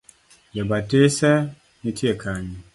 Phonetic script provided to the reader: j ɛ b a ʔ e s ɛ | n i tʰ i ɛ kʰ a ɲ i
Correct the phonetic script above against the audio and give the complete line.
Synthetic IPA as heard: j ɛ b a t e s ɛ | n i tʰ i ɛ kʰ a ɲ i